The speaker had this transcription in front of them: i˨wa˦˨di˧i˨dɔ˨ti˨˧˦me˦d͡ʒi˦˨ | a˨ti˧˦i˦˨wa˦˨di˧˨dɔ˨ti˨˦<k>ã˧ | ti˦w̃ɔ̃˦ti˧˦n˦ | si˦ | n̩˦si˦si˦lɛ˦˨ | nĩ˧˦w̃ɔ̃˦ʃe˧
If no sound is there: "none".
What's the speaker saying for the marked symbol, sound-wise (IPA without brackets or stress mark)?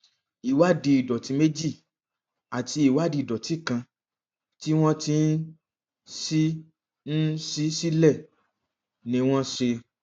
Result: k